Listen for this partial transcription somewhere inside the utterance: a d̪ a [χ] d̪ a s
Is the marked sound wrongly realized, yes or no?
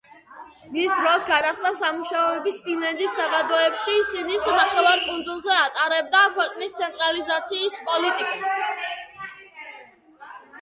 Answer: no